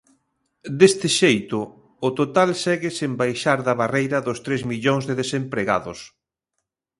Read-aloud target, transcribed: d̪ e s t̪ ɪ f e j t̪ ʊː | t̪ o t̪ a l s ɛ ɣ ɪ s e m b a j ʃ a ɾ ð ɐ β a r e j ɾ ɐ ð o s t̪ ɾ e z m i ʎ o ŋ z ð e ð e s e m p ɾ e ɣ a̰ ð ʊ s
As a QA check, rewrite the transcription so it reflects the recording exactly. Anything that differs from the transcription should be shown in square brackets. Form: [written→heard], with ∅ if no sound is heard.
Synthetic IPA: d̪ e s t̪ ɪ [f→ʃ] e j t̪ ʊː | t̪ o t̪ a l s ɛ ɣ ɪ s e m b a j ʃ a ɾ ð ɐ β a r e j ɾ ɐ ð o s t̪ ɾ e z m i ʎ o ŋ z ð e ð e s e m p ɾ e ɣ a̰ ð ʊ s